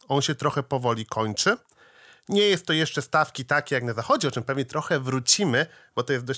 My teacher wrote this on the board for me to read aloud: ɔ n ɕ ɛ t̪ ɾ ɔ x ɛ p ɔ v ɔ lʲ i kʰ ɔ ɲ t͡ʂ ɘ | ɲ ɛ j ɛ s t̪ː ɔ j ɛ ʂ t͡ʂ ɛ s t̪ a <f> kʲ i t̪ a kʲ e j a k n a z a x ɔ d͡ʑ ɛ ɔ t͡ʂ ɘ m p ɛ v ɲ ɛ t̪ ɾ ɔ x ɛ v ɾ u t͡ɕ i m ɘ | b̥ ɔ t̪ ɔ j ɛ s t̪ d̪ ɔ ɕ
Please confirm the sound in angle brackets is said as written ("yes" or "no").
yes